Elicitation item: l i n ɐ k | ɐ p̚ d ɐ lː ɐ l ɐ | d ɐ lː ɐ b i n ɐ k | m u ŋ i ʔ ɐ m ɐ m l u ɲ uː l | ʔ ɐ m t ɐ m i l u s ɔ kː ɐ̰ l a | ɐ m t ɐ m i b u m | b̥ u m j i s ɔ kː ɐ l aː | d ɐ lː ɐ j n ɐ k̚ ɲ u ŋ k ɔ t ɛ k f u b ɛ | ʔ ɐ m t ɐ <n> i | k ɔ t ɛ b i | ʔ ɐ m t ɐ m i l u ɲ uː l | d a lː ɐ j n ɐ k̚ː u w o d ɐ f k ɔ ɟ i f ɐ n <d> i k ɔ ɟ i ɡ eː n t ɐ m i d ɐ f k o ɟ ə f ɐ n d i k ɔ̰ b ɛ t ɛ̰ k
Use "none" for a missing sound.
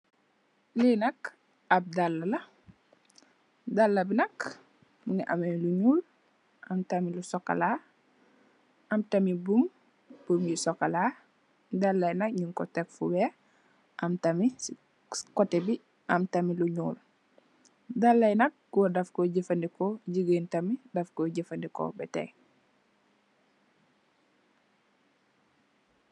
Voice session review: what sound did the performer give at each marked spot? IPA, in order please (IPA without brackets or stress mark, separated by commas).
m, d